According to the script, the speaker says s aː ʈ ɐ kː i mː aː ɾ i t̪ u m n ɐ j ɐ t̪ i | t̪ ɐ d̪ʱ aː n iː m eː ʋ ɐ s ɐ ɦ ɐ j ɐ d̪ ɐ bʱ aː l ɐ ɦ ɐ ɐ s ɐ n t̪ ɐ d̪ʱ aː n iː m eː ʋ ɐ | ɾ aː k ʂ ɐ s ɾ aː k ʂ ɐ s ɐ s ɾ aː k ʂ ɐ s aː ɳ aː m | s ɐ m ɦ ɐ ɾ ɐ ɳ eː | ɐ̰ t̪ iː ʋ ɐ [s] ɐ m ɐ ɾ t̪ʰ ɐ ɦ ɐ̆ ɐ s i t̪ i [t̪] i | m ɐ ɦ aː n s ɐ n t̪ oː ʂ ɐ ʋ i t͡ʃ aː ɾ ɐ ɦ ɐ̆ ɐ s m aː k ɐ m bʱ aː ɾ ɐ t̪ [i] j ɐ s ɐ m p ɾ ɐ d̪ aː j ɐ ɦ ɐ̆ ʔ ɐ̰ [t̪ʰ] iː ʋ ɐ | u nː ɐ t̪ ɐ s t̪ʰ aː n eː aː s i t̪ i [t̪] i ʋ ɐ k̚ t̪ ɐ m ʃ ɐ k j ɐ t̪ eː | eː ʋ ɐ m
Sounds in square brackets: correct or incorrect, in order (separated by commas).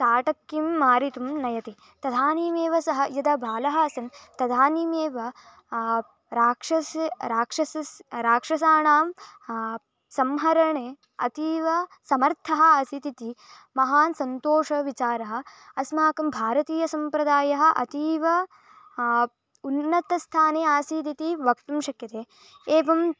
correct, correct, incorrect, incorrect, correct